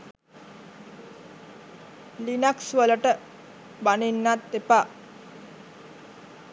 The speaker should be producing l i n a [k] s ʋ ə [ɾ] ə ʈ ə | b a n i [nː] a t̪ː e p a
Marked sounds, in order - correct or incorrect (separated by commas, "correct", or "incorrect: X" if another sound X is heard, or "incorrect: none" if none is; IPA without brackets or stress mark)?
correct, incorrect: l, correct